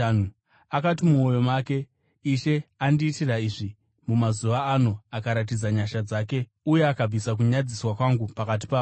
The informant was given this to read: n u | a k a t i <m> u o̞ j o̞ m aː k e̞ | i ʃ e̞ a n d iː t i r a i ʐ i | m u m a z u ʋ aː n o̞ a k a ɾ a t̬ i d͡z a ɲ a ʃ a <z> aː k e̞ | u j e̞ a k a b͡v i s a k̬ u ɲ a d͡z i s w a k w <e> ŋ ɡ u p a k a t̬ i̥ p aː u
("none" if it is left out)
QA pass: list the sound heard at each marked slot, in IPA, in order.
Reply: m, d͡z, a

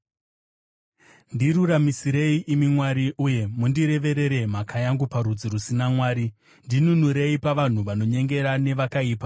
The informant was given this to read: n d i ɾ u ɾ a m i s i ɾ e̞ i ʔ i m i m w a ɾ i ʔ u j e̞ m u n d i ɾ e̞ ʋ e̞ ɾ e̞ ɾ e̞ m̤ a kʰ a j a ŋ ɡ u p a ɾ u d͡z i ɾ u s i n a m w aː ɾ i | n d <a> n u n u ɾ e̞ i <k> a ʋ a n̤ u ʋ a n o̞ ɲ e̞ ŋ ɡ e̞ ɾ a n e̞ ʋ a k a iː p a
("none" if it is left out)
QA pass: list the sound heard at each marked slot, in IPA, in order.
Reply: i, p

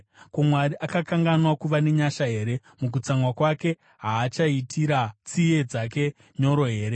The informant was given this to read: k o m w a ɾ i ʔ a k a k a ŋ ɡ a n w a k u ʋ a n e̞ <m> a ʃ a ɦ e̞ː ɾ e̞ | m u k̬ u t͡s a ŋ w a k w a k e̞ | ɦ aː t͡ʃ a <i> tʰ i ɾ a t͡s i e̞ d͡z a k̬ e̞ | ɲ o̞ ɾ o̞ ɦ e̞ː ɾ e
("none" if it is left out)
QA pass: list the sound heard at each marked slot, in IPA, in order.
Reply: ɲ, i

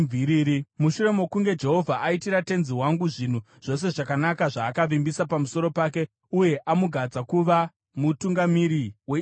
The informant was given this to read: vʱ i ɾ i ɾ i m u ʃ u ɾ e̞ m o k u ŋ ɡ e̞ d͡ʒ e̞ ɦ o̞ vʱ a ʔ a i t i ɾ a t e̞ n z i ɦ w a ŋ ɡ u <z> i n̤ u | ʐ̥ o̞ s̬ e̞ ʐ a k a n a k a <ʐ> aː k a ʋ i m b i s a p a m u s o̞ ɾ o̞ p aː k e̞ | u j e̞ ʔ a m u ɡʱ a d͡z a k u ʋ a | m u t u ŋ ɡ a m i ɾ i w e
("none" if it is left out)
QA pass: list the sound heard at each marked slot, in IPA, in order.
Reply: ʐ, ʐ

